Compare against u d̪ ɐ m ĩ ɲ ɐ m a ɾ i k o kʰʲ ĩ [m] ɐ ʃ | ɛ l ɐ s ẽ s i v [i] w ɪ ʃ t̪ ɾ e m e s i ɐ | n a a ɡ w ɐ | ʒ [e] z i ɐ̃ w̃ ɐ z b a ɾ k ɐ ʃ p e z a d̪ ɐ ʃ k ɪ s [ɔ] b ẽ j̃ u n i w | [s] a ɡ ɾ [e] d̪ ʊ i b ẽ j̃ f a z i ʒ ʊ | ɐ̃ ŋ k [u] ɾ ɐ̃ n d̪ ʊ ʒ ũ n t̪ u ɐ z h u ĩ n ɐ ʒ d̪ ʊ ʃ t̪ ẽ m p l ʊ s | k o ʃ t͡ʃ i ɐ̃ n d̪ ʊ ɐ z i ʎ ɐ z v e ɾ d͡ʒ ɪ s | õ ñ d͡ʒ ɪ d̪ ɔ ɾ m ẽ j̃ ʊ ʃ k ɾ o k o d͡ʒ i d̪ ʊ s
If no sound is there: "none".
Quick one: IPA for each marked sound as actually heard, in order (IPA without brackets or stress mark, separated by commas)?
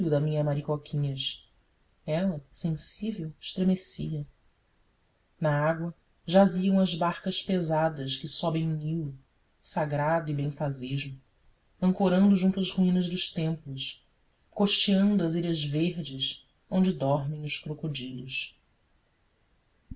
ɲ, e, a, ɔ, s, a, o